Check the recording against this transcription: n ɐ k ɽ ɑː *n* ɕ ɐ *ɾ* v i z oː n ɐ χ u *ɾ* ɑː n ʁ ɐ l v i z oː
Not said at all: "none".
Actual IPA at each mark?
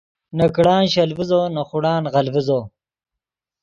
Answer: n, l, ɽ

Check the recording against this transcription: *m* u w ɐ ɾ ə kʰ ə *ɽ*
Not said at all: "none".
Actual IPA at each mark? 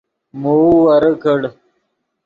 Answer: m, ɽ

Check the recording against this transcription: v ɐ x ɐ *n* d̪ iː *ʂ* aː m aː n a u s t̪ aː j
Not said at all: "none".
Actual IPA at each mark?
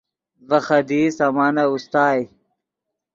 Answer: none, s

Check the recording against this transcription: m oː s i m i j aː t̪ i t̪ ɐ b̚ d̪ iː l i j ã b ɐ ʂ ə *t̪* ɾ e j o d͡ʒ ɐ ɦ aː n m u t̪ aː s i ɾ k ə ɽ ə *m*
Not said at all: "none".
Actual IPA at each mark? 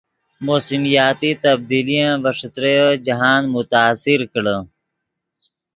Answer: t̪, none

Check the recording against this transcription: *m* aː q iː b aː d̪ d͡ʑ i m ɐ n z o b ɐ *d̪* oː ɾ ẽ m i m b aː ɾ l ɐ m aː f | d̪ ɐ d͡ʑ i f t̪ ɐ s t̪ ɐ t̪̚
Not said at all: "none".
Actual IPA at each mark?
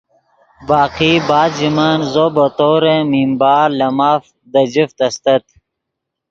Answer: b, t̪

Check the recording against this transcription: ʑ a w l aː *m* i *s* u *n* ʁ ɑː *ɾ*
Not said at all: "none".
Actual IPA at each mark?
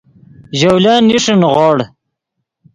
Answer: n, ʂ, n, ɽ

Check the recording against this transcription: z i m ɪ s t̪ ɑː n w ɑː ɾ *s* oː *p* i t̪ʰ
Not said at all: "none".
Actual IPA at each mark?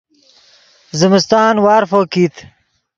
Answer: f, k

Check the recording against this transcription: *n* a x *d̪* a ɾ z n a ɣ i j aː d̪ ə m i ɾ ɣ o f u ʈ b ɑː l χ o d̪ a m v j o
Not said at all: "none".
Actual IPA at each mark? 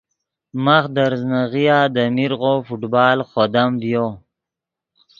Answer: m, d̪

